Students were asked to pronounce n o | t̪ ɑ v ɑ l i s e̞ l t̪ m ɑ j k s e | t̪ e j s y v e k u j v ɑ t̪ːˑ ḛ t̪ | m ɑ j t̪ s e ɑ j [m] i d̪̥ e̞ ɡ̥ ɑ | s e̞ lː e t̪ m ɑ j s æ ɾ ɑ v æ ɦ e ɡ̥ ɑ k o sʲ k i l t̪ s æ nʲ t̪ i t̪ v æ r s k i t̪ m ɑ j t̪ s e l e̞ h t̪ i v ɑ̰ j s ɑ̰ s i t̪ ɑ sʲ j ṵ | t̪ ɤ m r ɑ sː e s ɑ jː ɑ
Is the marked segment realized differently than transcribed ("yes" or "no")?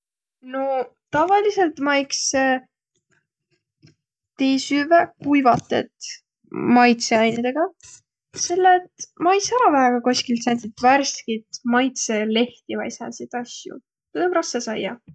yes